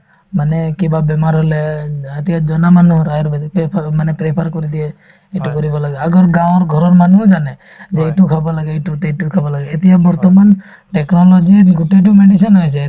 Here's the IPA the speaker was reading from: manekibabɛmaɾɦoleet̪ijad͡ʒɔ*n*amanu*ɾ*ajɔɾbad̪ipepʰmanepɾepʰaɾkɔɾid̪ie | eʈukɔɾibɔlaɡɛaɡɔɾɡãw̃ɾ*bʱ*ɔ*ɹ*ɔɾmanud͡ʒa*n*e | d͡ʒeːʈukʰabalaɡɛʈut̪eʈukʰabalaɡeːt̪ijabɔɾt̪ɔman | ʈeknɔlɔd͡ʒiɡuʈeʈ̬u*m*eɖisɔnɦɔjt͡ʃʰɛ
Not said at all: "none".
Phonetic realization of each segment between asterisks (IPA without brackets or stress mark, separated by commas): n, ɾ, ɡʱ, ɾ, n, m